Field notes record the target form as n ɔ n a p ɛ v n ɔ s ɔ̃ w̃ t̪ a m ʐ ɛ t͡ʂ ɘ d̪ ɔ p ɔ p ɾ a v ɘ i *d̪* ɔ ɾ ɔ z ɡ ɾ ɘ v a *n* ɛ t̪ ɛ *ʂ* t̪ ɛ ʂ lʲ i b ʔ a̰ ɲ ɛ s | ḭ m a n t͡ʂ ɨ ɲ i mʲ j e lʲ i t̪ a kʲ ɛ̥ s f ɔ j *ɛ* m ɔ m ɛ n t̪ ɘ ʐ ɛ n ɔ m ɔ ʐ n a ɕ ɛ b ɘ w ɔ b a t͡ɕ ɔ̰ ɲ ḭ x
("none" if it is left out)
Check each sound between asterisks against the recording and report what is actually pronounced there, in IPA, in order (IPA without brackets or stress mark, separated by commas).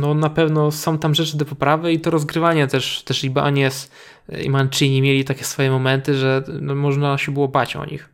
t̪, ɲ, ʂ, ɛ